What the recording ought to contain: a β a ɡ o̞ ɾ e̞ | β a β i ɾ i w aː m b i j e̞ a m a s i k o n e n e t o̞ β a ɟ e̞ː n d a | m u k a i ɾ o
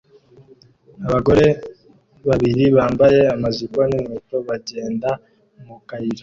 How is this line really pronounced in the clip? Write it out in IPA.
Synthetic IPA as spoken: a β a ɡ o̞ ɾ e̞ | β a β i ɾ i β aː m b a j e̞ a m a z i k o n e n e t o̞ β a ɟ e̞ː n d a | m u k a i ɾ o